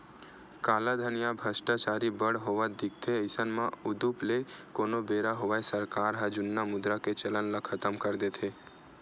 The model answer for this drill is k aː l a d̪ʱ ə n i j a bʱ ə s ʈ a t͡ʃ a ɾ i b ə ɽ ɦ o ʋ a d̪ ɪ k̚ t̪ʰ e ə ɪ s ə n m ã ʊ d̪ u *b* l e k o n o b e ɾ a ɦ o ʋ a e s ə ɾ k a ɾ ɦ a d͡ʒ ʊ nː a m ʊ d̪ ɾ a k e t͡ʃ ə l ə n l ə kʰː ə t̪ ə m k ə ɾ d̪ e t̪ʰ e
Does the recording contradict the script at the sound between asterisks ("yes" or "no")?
yes